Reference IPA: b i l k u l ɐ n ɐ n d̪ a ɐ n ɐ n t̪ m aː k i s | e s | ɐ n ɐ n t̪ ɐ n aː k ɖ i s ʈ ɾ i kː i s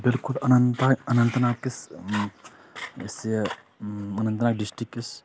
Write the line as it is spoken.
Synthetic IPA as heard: b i l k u l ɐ n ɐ n t̪ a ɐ n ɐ n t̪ n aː k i s | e s | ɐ n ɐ n t̪ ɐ n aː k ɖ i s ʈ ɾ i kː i s